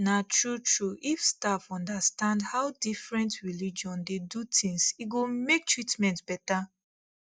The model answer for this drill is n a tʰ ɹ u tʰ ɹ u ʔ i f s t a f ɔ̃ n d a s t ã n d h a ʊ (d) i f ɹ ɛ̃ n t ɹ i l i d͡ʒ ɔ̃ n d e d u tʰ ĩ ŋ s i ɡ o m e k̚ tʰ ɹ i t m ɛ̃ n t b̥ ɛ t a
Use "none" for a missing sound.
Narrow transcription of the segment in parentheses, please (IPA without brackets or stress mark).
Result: d